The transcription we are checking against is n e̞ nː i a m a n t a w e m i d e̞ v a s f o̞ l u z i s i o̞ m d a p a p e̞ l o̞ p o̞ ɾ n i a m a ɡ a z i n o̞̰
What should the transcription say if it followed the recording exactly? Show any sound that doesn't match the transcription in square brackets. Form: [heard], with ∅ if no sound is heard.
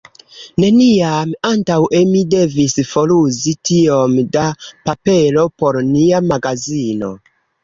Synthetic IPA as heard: n e̞ [n] i a m a n t a w e m i d e̞ v [i] s f o̞ l u z i [t] i o̞ m d a p a p e̞ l o̞ p o̞ ɾ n i a m a ɡ a z i n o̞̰